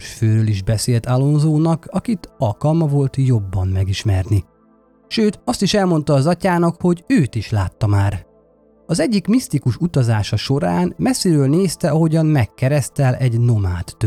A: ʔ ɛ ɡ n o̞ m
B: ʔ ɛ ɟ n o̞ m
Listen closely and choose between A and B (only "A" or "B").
B